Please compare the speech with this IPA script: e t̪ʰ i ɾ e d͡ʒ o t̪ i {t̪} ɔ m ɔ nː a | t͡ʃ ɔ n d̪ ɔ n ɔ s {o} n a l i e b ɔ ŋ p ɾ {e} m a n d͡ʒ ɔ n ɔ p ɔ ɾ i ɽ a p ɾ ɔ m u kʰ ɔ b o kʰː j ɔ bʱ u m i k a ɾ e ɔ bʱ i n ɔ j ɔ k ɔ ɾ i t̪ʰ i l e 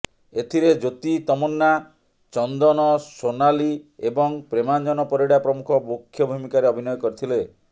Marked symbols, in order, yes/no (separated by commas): yes, yes, yes